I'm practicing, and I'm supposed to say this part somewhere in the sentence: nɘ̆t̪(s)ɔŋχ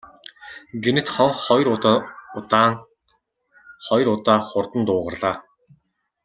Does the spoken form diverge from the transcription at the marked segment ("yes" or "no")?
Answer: yes